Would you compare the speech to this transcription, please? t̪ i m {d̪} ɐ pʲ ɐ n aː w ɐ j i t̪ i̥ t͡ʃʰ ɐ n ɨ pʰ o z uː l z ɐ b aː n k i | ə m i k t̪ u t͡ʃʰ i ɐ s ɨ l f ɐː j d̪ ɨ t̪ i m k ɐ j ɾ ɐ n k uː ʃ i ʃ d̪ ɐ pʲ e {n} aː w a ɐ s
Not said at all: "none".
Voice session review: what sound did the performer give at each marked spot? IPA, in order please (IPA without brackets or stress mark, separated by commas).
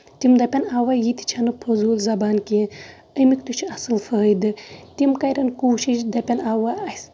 d̪, n